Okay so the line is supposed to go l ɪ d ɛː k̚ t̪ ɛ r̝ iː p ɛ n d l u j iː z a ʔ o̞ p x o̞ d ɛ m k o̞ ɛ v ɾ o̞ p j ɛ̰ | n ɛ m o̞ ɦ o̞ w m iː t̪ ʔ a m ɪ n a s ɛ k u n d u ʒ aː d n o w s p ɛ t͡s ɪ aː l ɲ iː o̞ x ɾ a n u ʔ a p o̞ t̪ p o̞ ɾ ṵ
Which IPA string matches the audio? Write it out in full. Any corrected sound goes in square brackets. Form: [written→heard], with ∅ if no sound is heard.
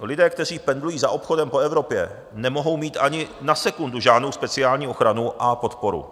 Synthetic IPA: l ɪ d ɛː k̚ t̪ ɛ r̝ iː p ɛ n d l u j iː z a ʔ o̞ p x o̞ d ɛ m [k→p] o̞ ɛ v ɾ o̞ p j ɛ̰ | n ɛ m o̞ ɦ o̞ w m iː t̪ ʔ a [m→ɲ] ɪ n a s ɛ k u n d u ʒ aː d n o w s p ɛ t͡s ɪ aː l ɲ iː o̞ x ɾ a n u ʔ a p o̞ t̪ p o̞ ɾ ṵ